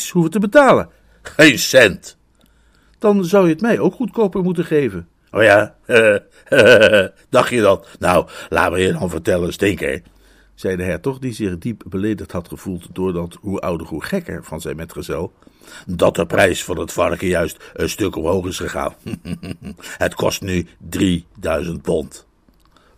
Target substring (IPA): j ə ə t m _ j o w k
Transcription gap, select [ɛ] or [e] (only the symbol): ɛ